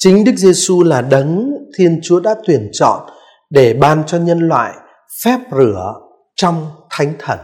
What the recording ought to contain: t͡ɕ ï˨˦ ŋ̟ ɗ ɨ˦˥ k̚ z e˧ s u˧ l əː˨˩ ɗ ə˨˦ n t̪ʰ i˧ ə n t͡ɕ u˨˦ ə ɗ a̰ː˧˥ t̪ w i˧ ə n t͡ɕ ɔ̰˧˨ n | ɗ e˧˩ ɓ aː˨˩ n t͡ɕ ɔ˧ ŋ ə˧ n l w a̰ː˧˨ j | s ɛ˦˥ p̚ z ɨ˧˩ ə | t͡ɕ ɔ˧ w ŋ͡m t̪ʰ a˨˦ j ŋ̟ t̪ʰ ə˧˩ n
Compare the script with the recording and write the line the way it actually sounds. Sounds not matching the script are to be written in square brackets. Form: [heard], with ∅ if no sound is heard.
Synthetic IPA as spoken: t͡ɕ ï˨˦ ŋ̟ ɗ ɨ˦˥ k̚ z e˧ s u˧ l [aː˨˩] ɗ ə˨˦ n t̪ʰ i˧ ə n t͡ɕ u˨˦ ə ɗ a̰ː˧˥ t̪ w [i˨˩] ə n t͡ɕ ɔ̰˧˨ n | ɗ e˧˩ ɓ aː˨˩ n t͡ɕ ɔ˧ [ɲ] ə˧ n l w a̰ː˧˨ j | [f] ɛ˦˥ p̚ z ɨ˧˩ ə | t͡ɕ ɔ˧ w ŋ͡m t̪ʰ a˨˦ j ŋ̟ t̪ʰ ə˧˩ n